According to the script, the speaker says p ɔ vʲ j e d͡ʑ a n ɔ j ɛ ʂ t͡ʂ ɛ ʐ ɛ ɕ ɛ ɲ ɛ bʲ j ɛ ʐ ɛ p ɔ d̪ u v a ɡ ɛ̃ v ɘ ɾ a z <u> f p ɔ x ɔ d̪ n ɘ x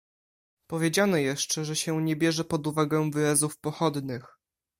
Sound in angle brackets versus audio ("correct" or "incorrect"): correct